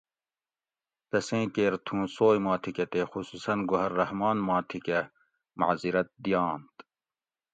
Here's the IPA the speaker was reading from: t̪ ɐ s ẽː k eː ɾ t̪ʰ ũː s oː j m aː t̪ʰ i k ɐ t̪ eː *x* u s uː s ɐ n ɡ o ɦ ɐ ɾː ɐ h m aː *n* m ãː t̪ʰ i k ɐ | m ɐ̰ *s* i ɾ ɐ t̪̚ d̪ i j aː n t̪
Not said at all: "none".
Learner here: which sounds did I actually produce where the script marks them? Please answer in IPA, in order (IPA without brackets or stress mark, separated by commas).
x, n, z